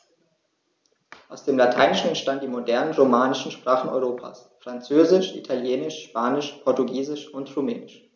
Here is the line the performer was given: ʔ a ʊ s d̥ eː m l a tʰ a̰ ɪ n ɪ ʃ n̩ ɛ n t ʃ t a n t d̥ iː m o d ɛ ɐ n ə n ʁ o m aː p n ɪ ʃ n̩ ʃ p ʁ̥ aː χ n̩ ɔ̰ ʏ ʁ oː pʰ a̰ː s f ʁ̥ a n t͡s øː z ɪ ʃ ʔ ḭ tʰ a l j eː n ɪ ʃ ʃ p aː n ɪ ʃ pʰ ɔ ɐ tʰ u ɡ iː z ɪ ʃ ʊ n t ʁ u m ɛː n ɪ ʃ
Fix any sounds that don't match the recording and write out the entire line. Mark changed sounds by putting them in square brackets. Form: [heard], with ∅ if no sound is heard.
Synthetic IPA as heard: ʔ a ʊ s d̥ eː m l a tʰ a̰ ɪ n ɪ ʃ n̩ ɛ n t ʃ t a n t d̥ iː m o d ɛ ɐ n ə n ʁ o m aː [∅] n ɪ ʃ n̩ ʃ p ʁ̥ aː χ n̩ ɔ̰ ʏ ʁ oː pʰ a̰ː s f ʁ̥ a n t͡s øː z ɪ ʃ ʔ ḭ tʰ a l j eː n ɪ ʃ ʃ p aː n ɪ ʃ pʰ ɔ ɐ [t] u ɡ iː z ɪ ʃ ʊ n t ʁ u m ɛː n ɪ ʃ